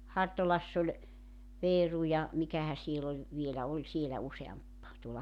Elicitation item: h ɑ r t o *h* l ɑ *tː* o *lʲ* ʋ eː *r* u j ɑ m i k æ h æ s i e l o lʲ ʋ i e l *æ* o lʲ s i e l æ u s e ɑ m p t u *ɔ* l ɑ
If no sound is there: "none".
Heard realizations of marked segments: none, sː, lʲ, r, æ, o

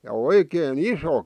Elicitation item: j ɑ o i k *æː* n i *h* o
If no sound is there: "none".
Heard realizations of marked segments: eː, s

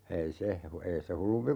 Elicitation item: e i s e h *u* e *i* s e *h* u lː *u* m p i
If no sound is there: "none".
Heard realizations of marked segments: u, i, h, u

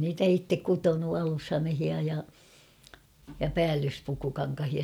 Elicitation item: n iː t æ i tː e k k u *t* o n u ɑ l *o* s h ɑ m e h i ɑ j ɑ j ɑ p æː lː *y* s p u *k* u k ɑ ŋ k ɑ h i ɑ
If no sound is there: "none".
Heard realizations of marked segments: t, u, y, k

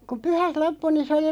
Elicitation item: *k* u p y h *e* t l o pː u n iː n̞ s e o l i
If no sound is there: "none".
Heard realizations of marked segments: k, æ

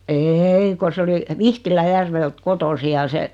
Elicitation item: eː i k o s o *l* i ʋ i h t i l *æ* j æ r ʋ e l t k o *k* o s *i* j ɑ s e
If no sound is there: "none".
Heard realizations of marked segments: l, æ, t, i

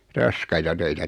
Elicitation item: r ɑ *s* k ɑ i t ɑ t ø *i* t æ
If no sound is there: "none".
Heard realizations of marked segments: s, i

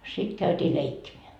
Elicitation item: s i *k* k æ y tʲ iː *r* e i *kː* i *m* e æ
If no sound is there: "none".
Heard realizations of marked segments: t, l, kː, m

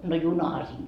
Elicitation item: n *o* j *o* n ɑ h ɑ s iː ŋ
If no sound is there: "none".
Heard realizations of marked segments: o, u

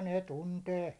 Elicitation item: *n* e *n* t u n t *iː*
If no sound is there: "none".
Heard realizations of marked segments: n, none, eː

